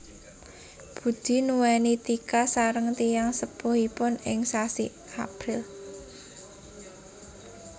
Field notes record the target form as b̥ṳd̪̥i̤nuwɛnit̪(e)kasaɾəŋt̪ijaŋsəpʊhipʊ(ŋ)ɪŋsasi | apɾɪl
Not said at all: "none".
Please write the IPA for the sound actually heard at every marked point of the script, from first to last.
i, n

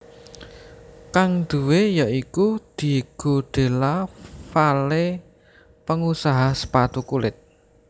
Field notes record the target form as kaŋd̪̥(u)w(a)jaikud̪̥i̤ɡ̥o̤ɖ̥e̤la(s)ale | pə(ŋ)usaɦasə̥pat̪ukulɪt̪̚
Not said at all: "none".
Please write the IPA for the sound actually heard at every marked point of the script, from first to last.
u, e, f, ŋ

